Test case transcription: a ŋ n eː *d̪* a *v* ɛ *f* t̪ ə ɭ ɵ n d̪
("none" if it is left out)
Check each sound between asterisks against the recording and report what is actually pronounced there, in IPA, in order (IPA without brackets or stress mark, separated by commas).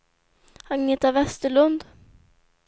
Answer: t̪, v, s